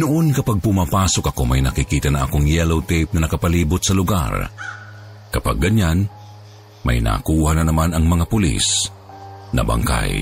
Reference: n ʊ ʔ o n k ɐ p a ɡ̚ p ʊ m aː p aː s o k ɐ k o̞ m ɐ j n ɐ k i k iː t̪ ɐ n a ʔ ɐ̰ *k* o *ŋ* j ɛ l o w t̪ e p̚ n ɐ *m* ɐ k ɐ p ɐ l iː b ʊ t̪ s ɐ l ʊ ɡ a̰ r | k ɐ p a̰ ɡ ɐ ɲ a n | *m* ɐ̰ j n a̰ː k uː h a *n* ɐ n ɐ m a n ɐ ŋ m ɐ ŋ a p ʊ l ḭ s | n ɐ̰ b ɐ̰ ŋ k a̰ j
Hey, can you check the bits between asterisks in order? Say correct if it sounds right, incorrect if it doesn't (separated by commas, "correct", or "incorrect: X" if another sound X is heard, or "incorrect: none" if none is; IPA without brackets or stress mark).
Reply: correct, correct, incorrect: n, correct, correct